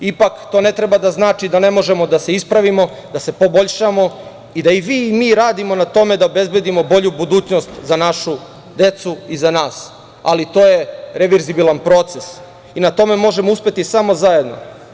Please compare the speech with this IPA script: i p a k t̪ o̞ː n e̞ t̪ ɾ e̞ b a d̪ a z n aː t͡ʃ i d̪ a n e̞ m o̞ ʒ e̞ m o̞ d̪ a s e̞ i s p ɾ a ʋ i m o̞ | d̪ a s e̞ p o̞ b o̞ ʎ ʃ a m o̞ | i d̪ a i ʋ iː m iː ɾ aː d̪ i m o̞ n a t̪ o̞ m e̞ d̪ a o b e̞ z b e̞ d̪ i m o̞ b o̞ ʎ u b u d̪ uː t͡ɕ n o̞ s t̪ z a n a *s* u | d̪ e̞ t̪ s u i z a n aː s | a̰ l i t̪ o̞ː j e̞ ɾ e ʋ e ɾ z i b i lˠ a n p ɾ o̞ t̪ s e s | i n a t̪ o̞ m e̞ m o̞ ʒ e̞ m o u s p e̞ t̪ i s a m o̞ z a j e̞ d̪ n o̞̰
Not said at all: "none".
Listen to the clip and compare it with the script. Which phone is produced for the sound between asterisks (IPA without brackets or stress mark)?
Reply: ʃ